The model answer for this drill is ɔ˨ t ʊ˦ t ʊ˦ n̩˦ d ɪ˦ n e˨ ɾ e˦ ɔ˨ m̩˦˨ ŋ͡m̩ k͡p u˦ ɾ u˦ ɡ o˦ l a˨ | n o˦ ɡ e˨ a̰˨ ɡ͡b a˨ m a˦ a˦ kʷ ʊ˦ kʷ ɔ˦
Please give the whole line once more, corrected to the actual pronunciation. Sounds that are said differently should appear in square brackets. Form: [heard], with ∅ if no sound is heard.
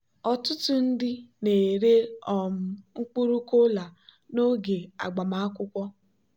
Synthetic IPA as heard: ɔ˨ t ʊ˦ t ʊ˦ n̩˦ d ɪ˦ n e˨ ɾ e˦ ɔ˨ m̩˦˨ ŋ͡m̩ k͡p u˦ ɾ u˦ [k] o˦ l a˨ | n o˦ ɡ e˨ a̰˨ ɡ͡b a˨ m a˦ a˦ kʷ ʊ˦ kʷ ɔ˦